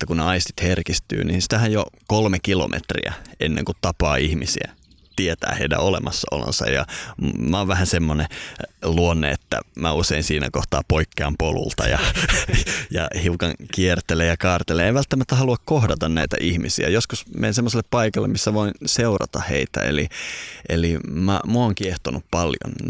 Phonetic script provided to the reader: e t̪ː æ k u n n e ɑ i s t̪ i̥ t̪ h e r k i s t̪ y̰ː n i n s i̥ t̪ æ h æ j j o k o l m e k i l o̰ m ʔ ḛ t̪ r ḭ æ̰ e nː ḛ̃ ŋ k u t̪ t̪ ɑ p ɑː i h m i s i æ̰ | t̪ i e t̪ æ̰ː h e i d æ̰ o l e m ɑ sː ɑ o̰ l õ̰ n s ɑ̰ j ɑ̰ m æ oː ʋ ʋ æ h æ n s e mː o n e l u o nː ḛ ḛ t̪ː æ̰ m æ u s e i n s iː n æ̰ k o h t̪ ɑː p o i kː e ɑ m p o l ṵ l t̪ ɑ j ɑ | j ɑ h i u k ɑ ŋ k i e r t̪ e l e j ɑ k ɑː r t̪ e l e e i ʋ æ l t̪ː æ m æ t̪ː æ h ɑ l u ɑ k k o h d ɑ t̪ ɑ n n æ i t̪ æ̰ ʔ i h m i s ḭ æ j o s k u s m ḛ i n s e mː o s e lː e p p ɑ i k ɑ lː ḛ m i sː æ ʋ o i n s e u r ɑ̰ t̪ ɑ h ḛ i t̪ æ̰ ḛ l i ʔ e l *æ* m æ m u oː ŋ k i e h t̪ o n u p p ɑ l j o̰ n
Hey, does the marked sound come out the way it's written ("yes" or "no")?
no